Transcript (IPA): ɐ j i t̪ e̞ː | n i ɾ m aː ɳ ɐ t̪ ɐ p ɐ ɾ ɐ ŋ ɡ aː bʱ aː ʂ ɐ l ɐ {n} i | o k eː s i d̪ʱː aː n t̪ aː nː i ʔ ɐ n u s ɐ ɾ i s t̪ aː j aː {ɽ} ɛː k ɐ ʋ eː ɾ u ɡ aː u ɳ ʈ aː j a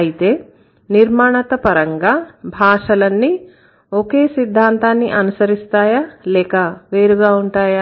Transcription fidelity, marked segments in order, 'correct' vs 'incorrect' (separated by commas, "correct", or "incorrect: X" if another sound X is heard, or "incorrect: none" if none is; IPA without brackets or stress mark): incorrect: nː, incorrect: l